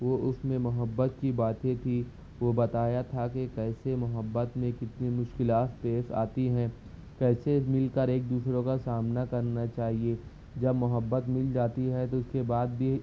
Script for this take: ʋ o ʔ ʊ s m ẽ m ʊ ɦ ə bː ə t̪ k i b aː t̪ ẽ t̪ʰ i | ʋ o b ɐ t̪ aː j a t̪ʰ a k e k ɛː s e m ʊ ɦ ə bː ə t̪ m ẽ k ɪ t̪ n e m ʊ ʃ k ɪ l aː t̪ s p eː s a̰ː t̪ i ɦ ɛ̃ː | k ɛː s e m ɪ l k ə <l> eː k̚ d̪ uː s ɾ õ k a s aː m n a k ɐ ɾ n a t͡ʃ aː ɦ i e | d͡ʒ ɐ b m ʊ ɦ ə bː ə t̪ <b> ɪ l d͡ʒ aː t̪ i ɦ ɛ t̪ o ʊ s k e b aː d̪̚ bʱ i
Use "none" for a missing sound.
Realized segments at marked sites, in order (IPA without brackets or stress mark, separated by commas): ɾ, m